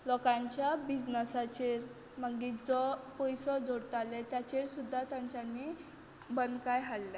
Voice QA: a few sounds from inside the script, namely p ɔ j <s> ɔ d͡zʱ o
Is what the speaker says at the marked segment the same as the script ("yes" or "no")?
yes